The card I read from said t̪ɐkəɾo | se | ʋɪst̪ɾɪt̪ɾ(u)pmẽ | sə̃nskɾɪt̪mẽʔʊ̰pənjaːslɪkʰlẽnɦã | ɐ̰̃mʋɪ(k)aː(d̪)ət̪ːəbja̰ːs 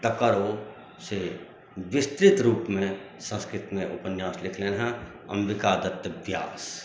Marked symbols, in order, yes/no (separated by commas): no, yes, yes